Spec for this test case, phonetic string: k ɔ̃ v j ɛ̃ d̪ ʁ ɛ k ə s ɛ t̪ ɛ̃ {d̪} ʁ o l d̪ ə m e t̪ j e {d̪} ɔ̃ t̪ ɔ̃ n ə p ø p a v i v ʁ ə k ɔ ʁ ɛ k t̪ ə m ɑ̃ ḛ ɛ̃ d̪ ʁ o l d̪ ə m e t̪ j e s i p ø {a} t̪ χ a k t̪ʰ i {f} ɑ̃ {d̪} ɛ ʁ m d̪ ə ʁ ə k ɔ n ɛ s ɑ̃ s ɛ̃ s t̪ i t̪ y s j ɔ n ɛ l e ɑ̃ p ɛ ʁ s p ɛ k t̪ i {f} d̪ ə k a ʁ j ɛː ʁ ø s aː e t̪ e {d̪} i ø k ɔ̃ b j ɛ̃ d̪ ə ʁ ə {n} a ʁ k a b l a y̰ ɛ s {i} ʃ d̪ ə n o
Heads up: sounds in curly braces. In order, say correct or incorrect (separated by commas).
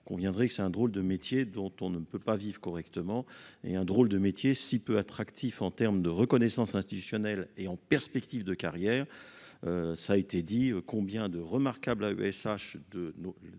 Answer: correct, correct, correct, correct, incorrect, incorrect, correct, incorrect, incorrect